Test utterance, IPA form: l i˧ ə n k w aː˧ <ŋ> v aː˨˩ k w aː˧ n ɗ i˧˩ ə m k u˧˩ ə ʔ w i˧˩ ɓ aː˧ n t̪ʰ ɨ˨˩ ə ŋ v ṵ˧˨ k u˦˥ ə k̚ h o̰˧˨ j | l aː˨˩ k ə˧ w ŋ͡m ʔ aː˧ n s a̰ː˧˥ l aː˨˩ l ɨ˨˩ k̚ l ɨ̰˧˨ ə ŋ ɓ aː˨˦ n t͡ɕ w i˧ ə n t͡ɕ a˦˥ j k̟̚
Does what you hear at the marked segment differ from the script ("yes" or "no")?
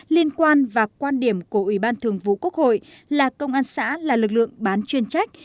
yes